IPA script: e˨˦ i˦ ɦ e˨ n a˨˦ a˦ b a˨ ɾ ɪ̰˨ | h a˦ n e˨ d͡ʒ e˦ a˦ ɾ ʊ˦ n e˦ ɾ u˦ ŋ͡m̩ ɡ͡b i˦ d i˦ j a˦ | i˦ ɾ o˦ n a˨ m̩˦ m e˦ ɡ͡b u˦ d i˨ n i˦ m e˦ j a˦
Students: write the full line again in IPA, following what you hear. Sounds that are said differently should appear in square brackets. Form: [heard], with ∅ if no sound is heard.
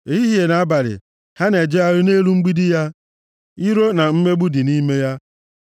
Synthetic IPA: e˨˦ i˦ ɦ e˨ n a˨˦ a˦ b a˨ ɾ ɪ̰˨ | h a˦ n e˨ d͡ʒ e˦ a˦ ɾ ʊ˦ n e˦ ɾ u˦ ŋ͡m̩ ɡ͡b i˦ d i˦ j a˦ | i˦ ɾ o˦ n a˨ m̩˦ m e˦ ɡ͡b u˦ d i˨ n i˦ m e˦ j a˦